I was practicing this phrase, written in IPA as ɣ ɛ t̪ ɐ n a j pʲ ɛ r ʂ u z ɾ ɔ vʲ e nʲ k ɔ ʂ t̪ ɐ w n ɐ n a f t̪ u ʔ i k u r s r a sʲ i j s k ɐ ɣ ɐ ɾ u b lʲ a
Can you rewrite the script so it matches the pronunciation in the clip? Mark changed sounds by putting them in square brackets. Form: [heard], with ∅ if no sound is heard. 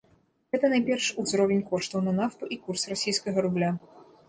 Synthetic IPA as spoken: ɣ ɛ t̪ ɐ n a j pʲ ɛ r ʂ u z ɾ ɔ vʲ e nʲ k ɔ ʂ t̪ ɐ w n ɐ n a f t̪ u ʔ i k u r s r a sʲ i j s k ɐ ɣ ɐ ɾ u b lʲ a

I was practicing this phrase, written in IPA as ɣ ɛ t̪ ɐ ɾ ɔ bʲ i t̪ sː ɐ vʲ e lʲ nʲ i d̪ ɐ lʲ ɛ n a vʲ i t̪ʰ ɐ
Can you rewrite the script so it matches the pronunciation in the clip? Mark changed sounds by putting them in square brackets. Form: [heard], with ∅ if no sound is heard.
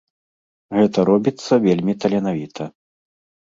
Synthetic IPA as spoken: ɣ ɛ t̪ ɐ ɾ ɔ bʲ i t̪ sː ɐ vʲ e lʲ [mʲ] i [t̪] ɐ lʲ ɛ n a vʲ i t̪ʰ ɐ

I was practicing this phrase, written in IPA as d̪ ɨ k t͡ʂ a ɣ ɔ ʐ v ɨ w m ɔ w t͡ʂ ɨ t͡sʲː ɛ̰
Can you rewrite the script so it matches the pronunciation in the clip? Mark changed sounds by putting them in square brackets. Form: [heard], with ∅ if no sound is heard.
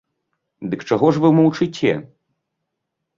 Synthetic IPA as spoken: d̪ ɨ k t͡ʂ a ɣ ɔ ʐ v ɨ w m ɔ w t͡ʂ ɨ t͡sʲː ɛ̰

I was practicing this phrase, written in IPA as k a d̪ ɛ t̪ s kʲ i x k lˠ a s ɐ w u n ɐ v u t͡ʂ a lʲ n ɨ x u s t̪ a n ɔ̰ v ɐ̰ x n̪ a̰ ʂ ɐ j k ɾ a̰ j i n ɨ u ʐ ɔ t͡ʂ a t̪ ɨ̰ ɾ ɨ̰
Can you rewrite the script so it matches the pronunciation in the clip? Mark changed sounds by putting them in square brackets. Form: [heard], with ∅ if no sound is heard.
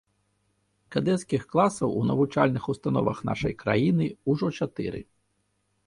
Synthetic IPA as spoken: k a d̪ ɛ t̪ s kʲ i x k lˠ a s ɐ w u n ɐ v u t͡ʂ a lʲ n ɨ x u s t̪ a n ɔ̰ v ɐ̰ x n̪ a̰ ʂ ɐ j k ɾ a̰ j i n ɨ u ʐ ɔ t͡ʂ a t̪ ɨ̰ ɾ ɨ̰

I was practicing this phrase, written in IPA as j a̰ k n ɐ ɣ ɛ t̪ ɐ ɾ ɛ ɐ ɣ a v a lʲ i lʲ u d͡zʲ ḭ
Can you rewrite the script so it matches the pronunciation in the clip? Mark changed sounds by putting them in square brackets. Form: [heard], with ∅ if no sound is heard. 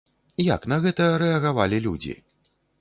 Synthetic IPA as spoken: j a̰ k n ɐ ɣ ɛ t̪ ɐ ɾ ɛ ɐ ɣ a v a lʲ i lʲ u d͡zʲ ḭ

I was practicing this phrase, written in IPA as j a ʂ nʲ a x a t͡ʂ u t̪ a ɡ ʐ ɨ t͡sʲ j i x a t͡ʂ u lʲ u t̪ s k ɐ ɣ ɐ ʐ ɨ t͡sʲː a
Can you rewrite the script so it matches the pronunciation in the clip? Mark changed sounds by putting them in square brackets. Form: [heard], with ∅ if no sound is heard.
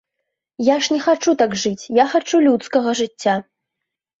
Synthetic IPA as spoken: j a ʂ nʲ [ɛ] x a t͡ʂ u t̪ a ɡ ʐ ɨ t͡sʲ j [a] x a t͡ʂ u lʲ u t̪ s k ɐ ɣ ɐ ʐ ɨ t͡sʲː a

